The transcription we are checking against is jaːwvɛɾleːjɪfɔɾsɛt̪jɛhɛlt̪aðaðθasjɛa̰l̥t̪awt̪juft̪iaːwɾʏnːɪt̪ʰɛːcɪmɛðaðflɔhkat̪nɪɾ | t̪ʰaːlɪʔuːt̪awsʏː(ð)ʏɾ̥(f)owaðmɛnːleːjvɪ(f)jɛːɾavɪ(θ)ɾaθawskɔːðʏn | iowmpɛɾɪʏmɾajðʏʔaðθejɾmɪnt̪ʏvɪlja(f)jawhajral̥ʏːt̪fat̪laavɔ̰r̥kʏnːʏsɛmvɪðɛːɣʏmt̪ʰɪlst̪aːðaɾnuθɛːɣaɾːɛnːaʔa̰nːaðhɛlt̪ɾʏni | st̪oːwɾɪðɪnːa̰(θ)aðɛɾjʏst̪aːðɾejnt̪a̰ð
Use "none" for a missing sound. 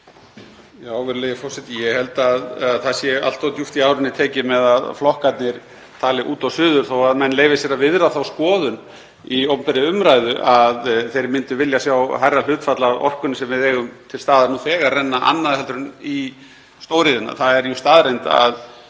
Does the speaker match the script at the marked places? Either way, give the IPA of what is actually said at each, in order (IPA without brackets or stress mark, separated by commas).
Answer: ð, θ, s, ð, s, θ